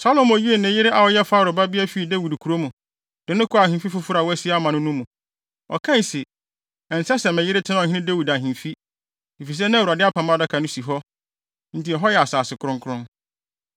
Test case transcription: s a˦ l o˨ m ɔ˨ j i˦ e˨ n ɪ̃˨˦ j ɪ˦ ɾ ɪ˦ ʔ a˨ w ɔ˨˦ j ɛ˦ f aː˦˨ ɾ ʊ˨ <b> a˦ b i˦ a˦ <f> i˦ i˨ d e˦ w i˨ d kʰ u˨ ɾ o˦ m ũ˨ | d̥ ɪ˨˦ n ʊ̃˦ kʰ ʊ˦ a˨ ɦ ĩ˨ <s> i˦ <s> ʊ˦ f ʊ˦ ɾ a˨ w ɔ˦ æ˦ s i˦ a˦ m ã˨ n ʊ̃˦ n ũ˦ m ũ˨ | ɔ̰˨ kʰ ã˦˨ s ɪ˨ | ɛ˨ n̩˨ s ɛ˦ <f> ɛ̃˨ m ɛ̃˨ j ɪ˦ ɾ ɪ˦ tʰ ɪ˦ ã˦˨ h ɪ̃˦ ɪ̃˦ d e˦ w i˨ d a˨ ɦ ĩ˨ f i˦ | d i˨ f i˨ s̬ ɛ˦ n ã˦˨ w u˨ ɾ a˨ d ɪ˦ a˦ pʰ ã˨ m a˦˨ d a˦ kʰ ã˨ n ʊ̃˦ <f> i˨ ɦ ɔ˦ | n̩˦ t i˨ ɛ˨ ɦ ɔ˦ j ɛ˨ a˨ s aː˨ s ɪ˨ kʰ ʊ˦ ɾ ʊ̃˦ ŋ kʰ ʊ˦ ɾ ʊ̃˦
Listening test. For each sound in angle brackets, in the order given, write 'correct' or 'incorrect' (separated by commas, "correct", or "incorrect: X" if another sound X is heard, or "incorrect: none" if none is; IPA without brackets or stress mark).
correct, correct, incorrect: f, incorrect: f, incorrect: s, incorrect: s